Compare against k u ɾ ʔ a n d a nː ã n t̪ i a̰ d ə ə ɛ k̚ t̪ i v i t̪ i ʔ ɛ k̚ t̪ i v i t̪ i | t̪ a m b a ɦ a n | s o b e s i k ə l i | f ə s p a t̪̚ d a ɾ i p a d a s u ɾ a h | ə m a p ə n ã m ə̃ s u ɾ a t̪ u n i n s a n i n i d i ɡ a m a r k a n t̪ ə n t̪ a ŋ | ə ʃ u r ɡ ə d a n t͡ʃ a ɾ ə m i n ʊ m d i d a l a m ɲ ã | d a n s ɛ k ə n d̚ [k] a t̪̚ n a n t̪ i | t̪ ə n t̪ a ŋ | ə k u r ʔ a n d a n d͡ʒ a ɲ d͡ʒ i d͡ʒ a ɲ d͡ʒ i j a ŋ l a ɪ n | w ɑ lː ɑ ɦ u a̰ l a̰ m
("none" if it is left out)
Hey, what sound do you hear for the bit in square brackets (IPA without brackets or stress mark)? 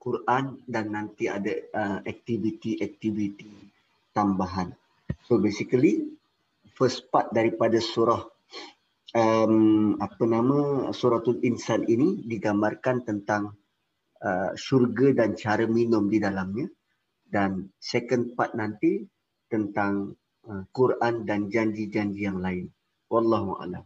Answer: p